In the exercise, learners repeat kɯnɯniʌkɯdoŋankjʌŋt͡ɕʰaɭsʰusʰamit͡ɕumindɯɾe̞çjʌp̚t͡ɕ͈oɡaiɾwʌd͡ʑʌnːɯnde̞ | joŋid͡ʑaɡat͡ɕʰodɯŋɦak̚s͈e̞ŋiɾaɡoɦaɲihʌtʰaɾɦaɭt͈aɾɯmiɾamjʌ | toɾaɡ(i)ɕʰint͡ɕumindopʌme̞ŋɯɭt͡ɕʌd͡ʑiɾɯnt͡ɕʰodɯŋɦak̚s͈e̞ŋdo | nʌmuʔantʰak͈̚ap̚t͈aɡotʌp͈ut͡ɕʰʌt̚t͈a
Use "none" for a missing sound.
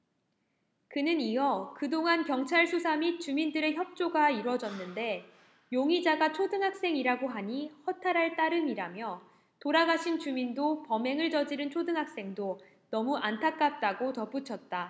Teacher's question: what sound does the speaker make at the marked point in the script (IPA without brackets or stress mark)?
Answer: a